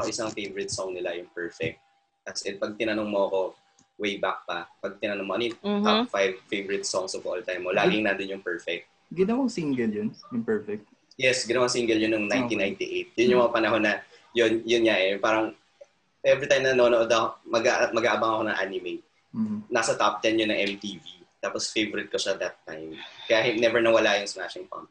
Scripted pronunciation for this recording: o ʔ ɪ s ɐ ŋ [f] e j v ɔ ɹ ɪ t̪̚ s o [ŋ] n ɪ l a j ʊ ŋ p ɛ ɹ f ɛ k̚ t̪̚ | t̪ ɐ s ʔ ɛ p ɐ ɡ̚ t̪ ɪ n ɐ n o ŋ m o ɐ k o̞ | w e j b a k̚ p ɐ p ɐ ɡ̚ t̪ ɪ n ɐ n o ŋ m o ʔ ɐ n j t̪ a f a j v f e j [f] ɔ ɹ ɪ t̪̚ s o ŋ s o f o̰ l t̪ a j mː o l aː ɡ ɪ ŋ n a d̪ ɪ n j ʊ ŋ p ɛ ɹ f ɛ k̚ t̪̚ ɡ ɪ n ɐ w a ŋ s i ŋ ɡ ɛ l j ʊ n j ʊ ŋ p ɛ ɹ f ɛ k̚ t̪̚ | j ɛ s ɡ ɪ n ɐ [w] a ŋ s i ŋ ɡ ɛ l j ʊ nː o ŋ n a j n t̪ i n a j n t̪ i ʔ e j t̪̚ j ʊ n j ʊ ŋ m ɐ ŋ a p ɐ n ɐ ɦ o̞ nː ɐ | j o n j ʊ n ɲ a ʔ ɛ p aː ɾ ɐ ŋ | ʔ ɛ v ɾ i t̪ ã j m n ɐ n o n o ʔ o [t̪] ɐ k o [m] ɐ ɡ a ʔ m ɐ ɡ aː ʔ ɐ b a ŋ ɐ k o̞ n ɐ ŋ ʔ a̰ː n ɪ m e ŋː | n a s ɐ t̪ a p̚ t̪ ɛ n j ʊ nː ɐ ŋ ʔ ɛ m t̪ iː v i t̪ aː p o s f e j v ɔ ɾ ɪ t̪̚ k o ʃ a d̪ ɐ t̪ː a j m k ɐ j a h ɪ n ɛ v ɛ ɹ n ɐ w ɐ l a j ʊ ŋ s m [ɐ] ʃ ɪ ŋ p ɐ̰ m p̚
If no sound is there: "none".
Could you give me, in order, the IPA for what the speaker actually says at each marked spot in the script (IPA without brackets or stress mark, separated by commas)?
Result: f, ŋ, v, w, d̪, m, a